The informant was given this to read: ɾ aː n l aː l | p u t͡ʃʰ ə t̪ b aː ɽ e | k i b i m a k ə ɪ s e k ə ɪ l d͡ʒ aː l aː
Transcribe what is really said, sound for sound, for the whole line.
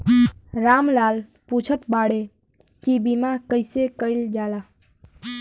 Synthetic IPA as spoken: ɾ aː m l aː l | p u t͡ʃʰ ə t̪ b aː ɽ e | k i b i m a k ə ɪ s e k ə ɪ l d͡ʒ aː l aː

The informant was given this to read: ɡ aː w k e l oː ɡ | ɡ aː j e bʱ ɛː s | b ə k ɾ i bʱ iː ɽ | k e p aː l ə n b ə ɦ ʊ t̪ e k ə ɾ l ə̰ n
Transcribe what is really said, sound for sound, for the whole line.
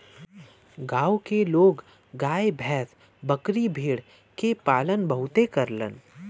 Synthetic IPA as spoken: ɡ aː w k e l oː ɡ | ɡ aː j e bʱ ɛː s | b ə k ɾ i bʱ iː ɽ | k e p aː l ə n b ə ɦ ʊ t̪ e k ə ɾ l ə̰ n

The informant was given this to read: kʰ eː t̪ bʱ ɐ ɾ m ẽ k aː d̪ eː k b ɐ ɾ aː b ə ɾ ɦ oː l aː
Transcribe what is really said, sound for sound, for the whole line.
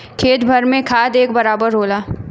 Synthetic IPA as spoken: kʰ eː t̪ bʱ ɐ ɾ m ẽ kʰ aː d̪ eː k b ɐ ɾ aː b ə ɾ ɦ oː l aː

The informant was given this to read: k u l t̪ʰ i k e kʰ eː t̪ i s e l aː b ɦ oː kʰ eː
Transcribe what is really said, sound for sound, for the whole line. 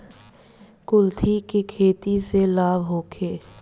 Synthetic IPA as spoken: k ʊ l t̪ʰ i k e kʰ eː t̪ i s e l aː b ɦ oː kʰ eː

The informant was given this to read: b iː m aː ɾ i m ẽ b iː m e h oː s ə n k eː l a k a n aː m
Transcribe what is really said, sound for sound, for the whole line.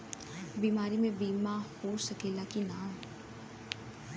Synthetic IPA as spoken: b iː m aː ɾ i m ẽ b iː m a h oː s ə k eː l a k i n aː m

